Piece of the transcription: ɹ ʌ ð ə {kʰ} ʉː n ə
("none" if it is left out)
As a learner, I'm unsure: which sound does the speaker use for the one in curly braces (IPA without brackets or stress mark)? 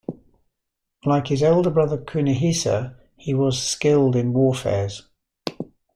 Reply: kʰ